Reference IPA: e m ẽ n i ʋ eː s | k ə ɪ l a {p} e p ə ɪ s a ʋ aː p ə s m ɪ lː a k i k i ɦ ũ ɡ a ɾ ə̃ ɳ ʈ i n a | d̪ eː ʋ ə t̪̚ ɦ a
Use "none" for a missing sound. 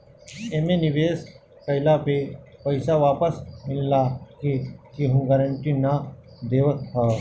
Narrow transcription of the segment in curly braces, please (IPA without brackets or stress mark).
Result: p